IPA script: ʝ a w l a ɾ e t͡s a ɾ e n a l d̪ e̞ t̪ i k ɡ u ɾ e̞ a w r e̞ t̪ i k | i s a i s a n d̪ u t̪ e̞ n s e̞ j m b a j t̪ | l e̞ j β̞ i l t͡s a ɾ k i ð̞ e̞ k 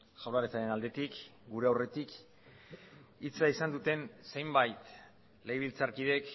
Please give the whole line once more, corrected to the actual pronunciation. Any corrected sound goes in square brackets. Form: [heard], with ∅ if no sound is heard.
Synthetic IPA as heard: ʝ a w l a ɾ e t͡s a ɾ e n a l d̪ e̞ t̪ i k ɡ u ɾ e̞ a w r e̞ t̪ i k | i [t͡s] a i s a n d̪ u t̪ e̞ n s e̞ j m b a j t̪ | l e̞ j β̞ i l t͡s a ɾ k i ð̞ e̞ k